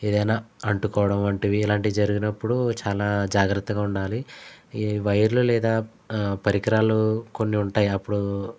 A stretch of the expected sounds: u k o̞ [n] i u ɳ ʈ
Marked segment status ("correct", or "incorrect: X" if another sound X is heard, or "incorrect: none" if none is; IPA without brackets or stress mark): incorrect: nː